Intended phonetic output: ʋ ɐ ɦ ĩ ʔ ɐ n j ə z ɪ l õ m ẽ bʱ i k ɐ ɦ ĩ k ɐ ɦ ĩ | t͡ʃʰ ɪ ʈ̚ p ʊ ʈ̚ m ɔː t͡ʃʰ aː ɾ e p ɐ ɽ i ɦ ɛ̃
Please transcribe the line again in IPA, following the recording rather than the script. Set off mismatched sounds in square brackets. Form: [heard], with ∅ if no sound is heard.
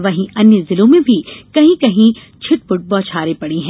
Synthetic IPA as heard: ʋ ɐ ɦ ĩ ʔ ɐ n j ə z ɪ l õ m ẽ bʱ i k ɐ ɦ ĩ k ɐ ɦ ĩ | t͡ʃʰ ɪ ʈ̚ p ʊ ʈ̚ [b] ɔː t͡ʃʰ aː ɾ e p ɐ ɽ i ɦ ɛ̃

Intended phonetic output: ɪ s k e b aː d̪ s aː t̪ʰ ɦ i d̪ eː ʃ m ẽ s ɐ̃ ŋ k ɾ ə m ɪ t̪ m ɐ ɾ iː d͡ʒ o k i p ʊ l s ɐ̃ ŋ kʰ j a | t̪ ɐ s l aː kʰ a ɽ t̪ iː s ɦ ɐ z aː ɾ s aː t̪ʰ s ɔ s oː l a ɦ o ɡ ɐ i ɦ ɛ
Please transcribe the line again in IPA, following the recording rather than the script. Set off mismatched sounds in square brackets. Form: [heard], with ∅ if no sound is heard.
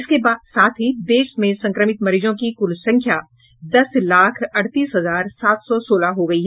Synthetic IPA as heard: ɪ s k e b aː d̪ s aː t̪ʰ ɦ i d̪ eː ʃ m ẽ s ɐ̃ ŋ k ɾ ə m ɪ t̪ m ɐ ɾ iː d͡ʒ [õ] k i [k] ʊ l s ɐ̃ ŋ kʰ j a | [d̪] ɐ s l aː kʰ [ɐ] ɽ t̪ iː s ɦ ɐ z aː ɾ s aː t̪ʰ s ɔ s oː l a ɦ o ɡ ɐ i ɦ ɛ

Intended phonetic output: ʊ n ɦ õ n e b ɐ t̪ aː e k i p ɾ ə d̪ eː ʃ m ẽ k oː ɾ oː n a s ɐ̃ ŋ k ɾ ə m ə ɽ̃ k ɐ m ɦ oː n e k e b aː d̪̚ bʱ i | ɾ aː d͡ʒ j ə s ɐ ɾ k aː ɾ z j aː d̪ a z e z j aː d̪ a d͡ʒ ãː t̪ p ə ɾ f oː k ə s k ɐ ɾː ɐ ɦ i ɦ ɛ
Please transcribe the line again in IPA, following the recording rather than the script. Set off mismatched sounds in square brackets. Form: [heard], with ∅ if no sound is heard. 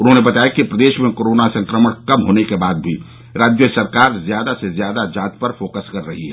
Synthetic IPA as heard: ʊ n ɦ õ n e b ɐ t̪ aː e k i p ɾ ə d̪ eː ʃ m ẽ k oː ɾ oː n a s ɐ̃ ŋ k ɾ ə m ə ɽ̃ k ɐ m ɦ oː n e k e b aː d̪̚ bʱ i | ɾ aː d͡ʒ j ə s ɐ ɾ k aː ɾ z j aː d̪ a [s] e z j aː d̪ a d͡ʒ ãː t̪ p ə ɾ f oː k ə s k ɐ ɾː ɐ ɦ i ɦ ɛ

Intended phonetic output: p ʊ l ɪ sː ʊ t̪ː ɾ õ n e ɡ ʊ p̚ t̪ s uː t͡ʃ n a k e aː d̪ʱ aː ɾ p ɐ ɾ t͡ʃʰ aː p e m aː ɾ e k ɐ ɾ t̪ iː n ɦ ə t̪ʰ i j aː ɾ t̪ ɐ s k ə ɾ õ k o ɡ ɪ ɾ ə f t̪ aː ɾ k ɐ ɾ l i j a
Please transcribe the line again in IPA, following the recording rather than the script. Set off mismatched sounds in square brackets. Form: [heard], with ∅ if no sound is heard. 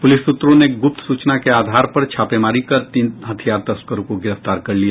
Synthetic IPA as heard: p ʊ l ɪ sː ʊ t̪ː ɾ õ n e ɡ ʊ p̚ t̪ s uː t͡ʃ n a k e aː d̪ʱ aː ɾ p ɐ ɾ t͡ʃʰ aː p e m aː ɾ [i] k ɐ ɾ t̪ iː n ɦ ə t̪ʰ i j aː ɾ t̪ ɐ s k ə ɾ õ k o ɡ ɪ ɾ ə f t̪ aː ɾ k ɐ ɾ l i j a

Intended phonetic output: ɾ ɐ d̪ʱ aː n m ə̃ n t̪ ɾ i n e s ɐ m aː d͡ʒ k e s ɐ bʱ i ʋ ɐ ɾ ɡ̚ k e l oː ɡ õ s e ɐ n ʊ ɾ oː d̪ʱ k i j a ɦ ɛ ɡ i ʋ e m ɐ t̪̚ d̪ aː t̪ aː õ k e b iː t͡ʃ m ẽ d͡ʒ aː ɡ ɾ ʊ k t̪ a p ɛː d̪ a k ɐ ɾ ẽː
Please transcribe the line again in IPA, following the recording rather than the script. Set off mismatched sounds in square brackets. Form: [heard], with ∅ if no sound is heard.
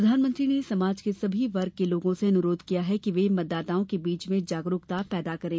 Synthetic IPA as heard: ɾ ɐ d̪ʱ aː n m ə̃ n t̪ ɾ i n e s ɐ m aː d͡ʒ k e s ɐ bʱ i ʋ ɐ ɾ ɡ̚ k e l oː ɡ õ s e ɐ n ʊ ɾ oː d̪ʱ k i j a ɦ ɛ [k] i ʋ e m ɐ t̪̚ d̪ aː t̪ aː õ k e b iː t͡ʃ m ẽ d͡ʒ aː ɡ ɾ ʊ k t̪ a p ɛː d̪ a k ɐ ɾ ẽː

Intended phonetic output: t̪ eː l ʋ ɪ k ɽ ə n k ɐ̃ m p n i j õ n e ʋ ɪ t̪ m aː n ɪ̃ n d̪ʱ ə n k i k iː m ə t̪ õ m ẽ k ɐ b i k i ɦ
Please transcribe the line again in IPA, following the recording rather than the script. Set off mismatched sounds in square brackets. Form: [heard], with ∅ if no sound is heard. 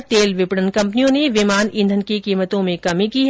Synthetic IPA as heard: t̪ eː l ʋ ɪ [p] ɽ ə n k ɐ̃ m p n i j õ n e ʋ ɪ [∅] m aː n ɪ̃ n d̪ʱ ə n k i k iː m ə t̪ õ m ẽ k ɐ [m] i k i ɦ

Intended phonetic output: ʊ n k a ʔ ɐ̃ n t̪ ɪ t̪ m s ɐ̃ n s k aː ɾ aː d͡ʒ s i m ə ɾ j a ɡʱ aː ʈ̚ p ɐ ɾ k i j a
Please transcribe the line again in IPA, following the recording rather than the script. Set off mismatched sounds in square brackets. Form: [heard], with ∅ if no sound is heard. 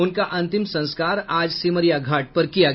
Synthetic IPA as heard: ʊ n k a ʔ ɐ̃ n t̪ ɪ [∅] m s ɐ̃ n s k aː ɾ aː d͡ʒ s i m ə ɾ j a ɡʱ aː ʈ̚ p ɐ ɾ k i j a

